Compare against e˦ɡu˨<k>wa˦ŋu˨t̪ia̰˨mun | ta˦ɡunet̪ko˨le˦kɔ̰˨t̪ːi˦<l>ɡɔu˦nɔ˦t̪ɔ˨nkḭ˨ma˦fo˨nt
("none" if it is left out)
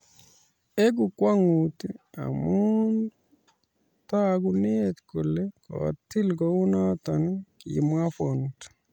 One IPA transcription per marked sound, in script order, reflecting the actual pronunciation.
k, l

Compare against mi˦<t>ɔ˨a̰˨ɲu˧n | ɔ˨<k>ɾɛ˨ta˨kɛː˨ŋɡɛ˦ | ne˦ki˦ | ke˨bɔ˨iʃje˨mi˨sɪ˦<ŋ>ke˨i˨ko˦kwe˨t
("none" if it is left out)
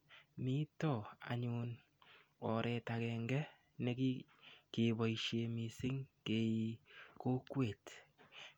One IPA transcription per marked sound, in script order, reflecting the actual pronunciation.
t, none, ŋ

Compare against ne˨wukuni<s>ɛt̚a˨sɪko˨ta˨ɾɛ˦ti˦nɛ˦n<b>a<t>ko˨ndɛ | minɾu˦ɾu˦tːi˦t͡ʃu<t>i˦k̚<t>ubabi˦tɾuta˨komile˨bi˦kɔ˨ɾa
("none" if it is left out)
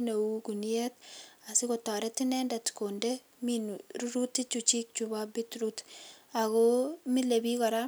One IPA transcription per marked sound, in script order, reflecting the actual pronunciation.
none, d, t, t͡ʃ, t͡ʃ

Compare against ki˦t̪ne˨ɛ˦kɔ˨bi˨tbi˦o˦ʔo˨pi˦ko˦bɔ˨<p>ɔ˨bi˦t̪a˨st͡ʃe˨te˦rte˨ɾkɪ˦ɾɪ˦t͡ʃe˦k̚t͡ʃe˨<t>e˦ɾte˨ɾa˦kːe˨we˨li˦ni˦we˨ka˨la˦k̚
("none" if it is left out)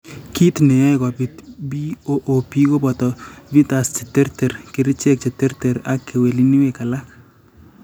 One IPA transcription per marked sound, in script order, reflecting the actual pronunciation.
t, t

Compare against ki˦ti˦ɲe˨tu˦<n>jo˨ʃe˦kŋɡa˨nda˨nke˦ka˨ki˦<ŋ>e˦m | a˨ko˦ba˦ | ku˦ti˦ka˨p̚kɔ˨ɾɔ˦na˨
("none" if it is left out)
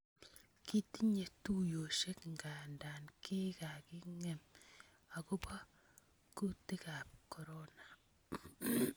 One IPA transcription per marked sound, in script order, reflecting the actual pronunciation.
none, ŋ

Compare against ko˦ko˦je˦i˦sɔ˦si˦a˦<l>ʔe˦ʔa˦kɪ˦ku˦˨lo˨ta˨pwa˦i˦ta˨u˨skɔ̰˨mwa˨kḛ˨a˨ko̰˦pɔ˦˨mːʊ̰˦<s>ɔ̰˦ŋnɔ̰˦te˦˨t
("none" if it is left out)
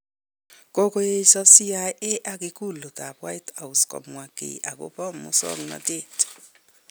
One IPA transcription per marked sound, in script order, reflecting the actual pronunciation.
none, s

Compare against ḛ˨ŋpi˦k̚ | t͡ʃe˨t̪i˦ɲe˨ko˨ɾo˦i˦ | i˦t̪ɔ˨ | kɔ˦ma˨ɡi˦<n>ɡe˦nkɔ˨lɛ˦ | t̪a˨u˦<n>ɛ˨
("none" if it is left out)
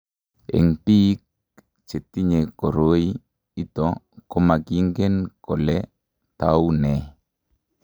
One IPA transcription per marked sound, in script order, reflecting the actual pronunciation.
ŋ, n

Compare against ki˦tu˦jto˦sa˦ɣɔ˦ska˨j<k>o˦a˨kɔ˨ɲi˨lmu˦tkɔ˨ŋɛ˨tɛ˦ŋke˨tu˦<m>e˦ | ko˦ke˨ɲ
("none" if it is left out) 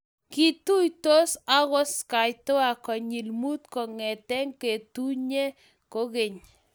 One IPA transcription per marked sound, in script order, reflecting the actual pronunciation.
t, ɲ

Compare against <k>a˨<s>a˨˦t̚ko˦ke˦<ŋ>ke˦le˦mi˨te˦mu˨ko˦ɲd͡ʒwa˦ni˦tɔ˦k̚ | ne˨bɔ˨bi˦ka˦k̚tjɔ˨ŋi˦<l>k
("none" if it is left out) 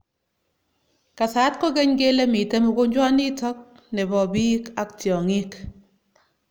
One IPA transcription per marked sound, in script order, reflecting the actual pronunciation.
k, s, ɲ, none

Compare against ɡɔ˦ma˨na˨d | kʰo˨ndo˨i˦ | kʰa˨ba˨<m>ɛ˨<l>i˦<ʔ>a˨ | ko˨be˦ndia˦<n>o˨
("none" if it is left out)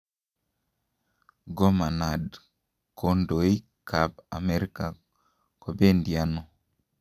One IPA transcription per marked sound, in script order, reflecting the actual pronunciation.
m, ɾ, k, n

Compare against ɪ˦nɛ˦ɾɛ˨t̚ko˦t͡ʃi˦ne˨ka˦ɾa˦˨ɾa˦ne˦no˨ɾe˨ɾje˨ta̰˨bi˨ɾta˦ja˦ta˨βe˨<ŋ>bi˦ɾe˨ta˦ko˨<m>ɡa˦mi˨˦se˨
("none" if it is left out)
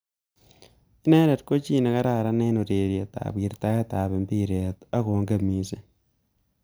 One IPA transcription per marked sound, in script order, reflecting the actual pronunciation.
m, ŋ

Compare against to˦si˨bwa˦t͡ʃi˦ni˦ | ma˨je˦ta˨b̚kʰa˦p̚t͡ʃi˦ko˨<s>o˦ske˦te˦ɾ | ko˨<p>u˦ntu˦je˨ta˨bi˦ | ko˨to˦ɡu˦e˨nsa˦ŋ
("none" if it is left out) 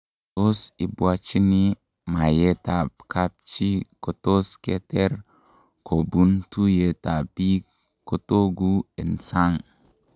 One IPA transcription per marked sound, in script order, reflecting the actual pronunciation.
t, b

